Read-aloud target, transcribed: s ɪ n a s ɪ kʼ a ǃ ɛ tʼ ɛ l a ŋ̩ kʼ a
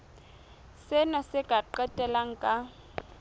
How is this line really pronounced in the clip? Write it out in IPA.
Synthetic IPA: s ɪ n a s ɪ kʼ a ǃ ɛ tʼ ɛ l a ŋ̩ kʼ a